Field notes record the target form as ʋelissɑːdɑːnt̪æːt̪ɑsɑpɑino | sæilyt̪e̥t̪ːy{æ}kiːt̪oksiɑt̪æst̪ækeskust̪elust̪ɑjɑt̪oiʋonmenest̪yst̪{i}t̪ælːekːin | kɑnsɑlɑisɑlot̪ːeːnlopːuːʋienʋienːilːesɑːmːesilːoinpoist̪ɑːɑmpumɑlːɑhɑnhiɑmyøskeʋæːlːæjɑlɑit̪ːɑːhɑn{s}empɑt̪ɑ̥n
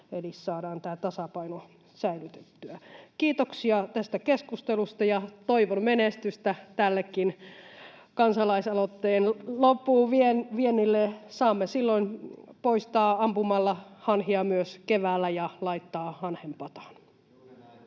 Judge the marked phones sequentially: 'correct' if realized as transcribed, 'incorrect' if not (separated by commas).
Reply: correct, incorrect, incorrect